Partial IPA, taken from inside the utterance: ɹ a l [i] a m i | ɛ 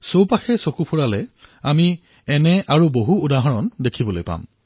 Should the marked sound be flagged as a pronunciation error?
yes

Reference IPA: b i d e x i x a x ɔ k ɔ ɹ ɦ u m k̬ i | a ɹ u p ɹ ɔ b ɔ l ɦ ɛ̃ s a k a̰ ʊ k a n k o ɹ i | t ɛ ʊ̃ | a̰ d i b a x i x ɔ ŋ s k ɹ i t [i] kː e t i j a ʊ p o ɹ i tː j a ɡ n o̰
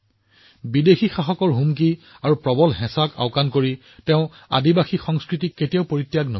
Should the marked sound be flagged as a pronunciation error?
no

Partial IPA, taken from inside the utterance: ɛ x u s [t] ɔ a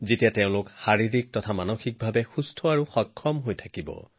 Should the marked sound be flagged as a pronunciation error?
yes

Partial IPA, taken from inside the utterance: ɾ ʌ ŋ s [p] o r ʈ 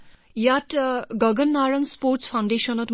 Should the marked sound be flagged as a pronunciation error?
no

